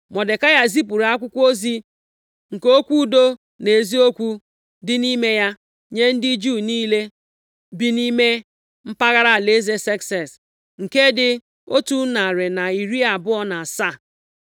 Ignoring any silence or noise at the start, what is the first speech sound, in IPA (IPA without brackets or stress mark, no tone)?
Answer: m